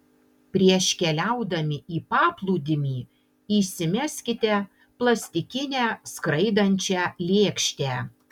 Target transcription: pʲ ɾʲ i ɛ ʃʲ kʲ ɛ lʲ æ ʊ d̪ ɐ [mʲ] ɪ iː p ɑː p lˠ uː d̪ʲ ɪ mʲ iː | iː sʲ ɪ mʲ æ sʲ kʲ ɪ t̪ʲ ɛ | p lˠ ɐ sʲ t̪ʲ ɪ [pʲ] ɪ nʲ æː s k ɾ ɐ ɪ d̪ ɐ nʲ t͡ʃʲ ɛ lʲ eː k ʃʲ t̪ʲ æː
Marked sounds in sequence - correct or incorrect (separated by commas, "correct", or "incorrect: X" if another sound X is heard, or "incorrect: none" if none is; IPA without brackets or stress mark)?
correct, incorrect: kʲ